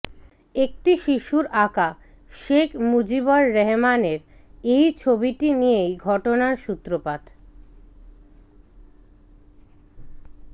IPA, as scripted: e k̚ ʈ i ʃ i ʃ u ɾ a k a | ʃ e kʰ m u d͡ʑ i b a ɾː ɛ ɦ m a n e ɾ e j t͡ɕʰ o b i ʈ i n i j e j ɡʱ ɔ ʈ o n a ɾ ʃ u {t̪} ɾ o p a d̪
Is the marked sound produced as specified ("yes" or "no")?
yes